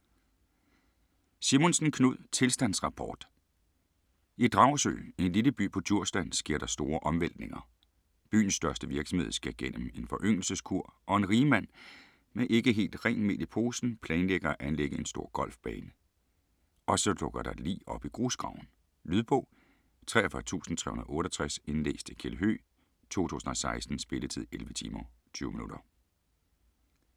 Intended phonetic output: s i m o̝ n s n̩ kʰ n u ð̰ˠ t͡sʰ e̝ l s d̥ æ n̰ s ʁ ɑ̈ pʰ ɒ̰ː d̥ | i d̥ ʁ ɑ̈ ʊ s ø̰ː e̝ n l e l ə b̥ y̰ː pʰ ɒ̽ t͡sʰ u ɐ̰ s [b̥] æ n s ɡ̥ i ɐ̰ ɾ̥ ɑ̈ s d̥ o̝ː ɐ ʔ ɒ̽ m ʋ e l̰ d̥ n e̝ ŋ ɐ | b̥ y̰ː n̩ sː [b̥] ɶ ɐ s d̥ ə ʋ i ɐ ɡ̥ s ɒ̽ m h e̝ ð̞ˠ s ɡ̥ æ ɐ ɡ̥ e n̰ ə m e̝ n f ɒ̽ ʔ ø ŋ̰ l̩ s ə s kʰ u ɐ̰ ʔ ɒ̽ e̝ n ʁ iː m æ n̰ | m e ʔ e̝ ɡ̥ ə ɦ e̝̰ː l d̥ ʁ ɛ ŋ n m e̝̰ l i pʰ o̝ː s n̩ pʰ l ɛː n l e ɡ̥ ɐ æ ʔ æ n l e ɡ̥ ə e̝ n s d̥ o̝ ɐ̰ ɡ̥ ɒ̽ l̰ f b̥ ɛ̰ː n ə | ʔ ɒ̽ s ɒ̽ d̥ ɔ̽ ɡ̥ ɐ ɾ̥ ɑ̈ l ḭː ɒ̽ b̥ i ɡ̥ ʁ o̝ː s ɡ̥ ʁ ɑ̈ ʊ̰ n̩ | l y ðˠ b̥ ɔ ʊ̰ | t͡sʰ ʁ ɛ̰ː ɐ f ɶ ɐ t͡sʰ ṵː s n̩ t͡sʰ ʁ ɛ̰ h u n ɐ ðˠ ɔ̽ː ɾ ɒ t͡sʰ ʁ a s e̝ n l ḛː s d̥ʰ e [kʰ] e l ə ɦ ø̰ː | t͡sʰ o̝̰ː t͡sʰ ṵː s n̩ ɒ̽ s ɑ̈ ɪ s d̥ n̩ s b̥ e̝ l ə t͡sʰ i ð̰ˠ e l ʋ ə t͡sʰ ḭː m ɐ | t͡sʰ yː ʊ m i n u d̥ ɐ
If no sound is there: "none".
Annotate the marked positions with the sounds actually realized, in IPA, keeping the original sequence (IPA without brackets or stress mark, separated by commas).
d̥, d̥, kʰ